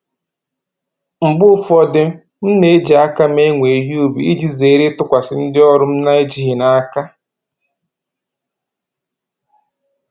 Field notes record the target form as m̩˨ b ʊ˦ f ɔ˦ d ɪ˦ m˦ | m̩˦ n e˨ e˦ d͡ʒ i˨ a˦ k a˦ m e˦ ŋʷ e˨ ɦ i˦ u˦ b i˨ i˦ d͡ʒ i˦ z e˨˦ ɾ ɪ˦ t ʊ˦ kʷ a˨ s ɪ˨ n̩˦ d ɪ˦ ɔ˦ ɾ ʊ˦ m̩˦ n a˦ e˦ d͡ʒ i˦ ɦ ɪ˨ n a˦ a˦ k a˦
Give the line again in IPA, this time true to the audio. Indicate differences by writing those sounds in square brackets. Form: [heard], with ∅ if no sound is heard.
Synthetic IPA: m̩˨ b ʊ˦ f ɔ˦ d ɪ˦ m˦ | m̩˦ n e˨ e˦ d͡ʒ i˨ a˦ k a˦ m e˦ ŋʷ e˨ ɦ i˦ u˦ b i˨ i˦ d͡ʒ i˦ z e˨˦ ɾ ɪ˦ t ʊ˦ kʷ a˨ s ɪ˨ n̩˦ d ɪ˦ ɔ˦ ɾ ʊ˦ m̩˦ n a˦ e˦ d͡ʒ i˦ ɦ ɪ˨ n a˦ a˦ k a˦